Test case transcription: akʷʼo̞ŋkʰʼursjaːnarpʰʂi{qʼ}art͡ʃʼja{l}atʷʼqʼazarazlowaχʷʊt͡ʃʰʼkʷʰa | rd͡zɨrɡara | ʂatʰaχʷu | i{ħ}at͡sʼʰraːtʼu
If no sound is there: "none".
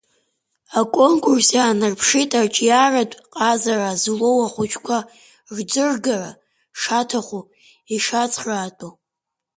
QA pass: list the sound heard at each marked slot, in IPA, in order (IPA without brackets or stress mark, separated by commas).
tʼ, r, ʂ